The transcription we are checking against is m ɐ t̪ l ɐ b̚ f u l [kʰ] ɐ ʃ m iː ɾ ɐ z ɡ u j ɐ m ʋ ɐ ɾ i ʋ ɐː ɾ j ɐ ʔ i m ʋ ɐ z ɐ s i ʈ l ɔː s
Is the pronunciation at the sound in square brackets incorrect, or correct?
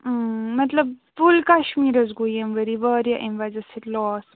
incorrect